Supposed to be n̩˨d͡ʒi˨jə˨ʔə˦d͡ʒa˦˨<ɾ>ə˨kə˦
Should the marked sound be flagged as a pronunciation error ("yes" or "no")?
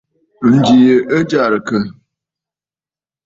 no